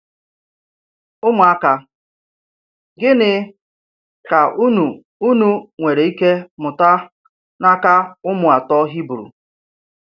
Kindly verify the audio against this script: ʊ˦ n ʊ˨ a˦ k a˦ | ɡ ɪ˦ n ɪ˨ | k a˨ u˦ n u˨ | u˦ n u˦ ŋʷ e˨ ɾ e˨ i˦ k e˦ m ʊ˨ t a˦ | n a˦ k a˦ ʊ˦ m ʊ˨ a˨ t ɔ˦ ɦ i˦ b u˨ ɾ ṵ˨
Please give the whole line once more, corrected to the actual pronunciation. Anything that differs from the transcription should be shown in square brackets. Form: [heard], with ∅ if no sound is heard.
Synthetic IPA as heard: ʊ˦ [m] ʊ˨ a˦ k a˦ | ɡ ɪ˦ n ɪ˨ | k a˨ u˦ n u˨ | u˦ n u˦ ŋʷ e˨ ɾ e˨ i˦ k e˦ m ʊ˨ t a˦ | n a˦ k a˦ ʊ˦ m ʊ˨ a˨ t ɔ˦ ɦ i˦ b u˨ ɾ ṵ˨